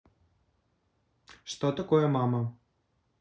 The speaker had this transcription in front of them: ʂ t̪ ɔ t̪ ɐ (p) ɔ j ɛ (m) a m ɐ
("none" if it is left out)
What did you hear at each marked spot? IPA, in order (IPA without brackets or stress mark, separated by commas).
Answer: k, m